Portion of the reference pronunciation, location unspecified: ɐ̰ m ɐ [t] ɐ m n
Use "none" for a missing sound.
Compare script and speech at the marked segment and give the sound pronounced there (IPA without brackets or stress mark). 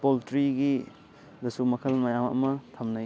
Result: tʰ